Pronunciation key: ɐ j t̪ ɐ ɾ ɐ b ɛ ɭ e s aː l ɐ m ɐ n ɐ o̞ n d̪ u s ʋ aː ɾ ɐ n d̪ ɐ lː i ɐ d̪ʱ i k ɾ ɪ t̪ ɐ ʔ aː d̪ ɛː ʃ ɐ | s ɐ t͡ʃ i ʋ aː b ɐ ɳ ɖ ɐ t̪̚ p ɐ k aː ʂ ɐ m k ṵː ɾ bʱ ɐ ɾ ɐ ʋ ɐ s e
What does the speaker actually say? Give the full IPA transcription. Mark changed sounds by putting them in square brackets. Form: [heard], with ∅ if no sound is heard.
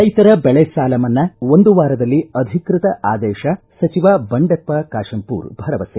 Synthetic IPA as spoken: ɐ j t̪ ɐ ɾ ɐ b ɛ ɭ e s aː l ɐ m ɐ [nː] ɐ o̞ n d̪ u [∅] ʋ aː ɾ ɐ [∅] d̪ ɐ lː i ɐ d̪ʱ i k ɾ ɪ t̪ ɐ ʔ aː d̪ ɛː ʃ ɐ | s ɐ t͡ʃ i ʋ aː b ɐ ɳ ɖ ɐ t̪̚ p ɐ k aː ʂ ɐ m [p] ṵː ɾ bʱ ɐ ɾ ɐ ʋ ɐ s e